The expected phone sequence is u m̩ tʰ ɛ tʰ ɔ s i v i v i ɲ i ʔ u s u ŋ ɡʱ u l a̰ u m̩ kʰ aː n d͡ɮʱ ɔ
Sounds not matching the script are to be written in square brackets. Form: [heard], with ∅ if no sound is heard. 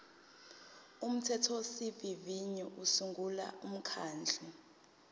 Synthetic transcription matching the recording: u m̩ tʰ ɛ tʰ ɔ s i v i v i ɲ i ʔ u s u ŋ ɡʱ u l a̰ u m̩ kʰ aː n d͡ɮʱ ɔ